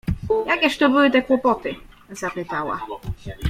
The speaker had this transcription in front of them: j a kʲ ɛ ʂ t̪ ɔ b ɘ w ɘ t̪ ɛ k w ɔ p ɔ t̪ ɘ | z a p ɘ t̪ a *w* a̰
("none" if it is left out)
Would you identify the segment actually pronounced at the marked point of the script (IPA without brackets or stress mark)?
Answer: w